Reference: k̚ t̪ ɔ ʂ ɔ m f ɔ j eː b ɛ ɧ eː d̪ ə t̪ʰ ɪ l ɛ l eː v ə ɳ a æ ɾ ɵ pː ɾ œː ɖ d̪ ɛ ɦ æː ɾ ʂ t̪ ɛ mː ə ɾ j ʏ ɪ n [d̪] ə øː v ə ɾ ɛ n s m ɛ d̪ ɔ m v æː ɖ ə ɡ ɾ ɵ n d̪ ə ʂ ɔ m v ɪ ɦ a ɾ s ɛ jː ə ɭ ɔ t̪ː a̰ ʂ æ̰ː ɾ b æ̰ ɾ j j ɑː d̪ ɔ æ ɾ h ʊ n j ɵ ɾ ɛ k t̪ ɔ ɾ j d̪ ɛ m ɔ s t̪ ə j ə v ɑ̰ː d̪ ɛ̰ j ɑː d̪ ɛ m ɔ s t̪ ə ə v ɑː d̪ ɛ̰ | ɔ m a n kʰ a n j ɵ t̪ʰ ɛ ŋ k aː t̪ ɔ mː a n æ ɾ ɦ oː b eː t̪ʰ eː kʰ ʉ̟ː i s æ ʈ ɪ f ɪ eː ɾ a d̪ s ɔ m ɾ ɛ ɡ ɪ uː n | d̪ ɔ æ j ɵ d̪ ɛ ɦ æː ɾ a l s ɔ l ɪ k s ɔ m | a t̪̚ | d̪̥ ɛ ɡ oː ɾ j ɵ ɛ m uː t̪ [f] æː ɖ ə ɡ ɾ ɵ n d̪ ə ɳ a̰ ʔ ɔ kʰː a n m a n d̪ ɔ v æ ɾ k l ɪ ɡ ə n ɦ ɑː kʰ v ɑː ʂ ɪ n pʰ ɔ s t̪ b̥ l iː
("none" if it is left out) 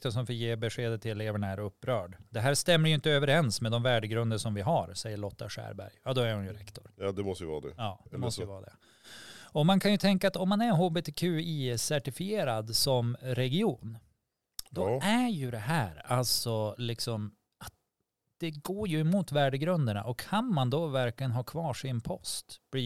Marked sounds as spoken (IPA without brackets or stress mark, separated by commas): t̪, v